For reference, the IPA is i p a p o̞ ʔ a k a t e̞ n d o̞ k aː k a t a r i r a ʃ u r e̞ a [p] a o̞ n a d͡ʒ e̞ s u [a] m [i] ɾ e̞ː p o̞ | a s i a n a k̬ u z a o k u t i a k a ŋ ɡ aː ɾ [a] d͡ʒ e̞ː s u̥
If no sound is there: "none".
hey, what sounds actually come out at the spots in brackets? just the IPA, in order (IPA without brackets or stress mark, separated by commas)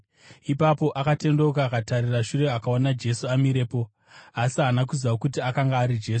k, a, i, i